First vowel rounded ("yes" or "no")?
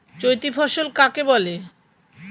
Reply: yes